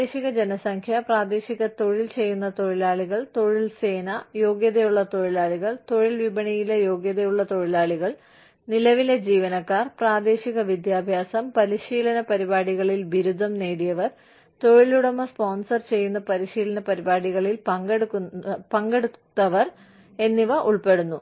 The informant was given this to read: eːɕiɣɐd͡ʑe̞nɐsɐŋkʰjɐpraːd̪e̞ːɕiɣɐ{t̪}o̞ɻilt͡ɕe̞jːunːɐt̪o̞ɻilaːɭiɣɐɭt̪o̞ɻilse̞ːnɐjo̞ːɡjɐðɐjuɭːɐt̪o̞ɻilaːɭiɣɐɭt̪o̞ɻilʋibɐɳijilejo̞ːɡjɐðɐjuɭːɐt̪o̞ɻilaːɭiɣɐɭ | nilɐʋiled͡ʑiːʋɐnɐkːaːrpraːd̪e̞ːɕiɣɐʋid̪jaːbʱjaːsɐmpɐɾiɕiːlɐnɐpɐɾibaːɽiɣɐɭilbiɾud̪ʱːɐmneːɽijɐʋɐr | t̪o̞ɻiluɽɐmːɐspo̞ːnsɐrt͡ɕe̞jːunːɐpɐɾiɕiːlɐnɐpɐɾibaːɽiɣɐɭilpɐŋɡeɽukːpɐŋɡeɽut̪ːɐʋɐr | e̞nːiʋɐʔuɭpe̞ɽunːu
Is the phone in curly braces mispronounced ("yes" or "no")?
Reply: no